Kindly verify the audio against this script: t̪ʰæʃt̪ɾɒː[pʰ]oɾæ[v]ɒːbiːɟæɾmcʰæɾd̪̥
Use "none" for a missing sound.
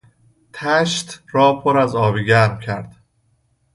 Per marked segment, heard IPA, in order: pʰ, z

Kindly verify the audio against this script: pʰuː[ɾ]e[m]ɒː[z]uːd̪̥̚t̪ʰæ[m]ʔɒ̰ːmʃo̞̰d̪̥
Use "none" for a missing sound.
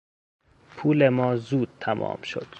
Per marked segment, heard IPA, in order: l, m, z, m

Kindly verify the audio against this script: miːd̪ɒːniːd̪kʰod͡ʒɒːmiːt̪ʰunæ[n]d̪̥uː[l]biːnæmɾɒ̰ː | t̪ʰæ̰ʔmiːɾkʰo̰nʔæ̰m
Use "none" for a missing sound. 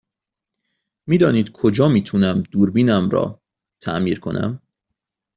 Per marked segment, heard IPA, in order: m, ɾ

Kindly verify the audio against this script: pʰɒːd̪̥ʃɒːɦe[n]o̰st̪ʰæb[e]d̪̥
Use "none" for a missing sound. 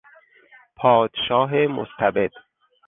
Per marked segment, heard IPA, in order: m, e

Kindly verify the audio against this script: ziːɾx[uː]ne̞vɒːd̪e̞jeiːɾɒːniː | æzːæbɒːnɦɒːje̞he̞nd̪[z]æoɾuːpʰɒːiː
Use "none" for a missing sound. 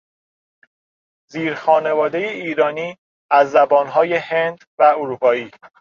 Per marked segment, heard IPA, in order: ɒː, v

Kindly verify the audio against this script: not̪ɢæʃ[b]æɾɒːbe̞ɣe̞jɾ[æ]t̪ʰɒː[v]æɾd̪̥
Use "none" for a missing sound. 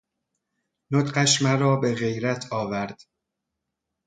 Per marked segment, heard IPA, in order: m, æ, v

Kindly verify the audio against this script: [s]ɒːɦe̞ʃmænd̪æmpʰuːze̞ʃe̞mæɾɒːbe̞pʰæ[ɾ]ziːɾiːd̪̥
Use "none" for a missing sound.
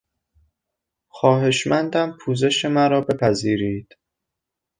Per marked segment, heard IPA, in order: x, none

